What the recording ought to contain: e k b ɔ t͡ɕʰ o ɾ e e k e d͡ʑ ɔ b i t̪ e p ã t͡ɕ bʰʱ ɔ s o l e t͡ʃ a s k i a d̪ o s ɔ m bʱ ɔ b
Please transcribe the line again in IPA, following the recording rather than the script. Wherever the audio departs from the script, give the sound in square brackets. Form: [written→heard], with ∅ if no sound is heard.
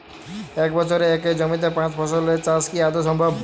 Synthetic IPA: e k b ɔ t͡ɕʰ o ɾ e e k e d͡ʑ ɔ [b→m] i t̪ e p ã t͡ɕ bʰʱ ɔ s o l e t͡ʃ a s k i a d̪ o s ɔ m bʱ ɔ b